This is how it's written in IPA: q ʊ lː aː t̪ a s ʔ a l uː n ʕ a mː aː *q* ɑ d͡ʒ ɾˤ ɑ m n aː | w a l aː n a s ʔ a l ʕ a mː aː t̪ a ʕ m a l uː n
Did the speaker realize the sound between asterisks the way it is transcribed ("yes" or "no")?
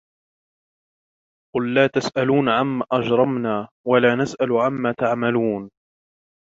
no